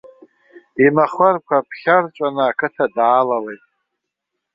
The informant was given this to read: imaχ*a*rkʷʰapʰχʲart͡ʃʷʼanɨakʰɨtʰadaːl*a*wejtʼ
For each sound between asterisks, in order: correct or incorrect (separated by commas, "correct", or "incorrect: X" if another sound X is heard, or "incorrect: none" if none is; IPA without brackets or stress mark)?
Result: correct, correct